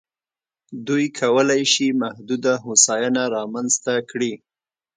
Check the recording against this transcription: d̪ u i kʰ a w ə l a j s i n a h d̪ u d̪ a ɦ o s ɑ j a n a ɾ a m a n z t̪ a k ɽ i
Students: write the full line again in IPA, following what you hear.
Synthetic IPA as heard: d̪ u j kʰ a w ə l a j ʃ i m a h d̪ u d̪ a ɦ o s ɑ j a n a ɾ ɑ m a n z t̪ a k ɽ i